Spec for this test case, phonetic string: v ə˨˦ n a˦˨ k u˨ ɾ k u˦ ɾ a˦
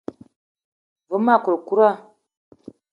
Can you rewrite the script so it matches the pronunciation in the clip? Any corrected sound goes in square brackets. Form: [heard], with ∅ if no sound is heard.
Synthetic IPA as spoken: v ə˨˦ [m] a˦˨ k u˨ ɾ k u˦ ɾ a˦